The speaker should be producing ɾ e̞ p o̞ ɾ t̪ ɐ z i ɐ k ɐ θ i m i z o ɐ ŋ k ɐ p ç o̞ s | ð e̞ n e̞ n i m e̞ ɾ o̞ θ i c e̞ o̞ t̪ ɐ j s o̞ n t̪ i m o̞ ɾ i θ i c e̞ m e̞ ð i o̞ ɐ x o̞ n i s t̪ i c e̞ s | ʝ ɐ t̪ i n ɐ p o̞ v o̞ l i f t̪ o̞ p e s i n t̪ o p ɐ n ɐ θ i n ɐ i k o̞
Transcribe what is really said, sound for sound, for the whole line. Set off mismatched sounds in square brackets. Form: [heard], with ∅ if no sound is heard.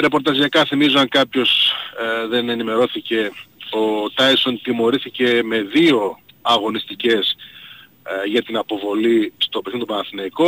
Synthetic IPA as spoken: ɾ e̞ p o̞ ɾ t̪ ɐ z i ɐ k ɐ θ i m i z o ɐ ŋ k ɐ p ç o̞ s | ð e̞ n e̞ n i m e̞ ɾ o̞ θ i c e̞ o̞ t̪ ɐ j s o̞ n t̪ i m o̞ ɾ i θ i c e̞ m e̞ ð i o̞ ɐ [ɣ] o̞ n i s t̪ i c e̞ s | ʝ ɐ t̪ i n ɐ p o̞ v o̞ l i [s] t̪ o̞ p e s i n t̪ o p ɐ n ɐ θ i n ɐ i k o̞